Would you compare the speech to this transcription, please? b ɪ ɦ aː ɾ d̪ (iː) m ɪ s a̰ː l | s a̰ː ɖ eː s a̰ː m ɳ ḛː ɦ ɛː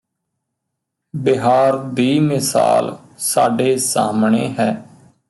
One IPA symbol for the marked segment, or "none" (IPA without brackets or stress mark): iː